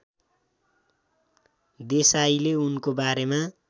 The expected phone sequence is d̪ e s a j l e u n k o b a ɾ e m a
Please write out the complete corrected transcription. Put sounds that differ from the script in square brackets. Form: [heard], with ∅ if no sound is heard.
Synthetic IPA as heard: d̪ e s a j l e u n k o b a ɾ e m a